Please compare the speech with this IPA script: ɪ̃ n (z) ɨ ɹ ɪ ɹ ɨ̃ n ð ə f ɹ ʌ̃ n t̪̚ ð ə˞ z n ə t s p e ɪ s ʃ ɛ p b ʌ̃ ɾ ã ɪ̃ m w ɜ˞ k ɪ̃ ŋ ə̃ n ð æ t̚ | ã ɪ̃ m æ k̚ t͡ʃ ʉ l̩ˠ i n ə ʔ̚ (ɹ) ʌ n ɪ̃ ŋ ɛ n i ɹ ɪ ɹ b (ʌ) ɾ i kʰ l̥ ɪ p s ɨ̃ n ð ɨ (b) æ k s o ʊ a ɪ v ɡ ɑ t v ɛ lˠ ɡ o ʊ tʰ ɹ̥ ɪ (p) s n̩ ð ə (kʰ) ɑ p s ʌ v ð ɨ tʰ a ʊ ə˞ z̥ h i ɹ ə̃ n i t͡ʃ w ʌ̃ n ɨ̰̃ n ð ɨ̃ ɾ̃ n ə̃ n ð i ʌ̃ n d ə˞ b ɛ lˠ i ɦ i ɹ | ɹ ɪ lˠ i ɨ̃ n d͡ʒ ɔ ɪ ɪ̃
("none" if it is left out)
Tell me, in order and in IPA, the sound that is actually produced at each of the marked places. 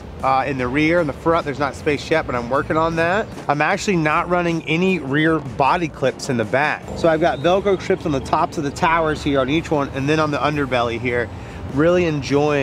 ð, ɹ, ɑ, b, p, tʰ

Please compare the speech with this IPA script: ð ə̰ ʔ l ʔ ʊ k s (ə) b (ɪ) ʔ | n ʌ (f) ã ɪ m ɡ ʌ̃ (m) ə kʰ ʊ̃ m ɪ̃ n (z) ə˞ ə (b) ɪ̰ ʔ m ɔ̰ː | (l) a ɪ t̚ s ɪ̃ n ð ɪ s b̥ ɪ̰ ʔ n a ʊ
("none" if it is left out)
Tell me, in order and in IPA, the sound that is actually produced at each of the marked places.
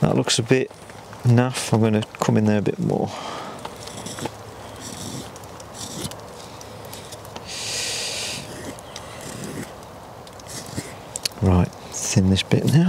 ə, ɪ, f, n, ð, b, ɹ

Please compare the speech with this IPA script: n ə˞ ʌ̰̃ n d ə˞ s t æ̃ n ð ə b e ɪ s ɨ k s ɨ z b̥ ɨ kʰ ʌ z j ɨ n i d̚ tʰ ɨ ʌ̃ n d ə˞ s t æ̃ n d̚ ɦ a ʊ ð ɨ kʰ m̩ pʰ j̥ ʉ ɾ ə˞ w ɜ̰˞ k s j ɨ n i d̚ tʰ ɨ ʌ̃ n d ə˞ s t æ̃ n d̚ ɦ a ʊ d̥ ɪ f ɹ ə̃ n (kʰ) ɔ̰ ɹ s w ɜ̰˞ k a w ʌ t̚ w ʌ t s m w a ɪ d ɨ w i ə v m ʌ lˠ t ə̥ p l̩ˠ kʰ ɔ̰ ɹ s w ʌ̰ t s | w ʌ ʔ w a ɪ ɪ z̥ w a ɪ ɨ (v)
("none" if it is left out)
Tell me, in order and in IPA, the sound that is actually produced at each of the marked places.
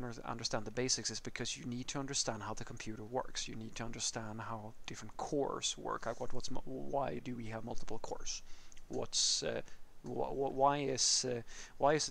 kʰ, z

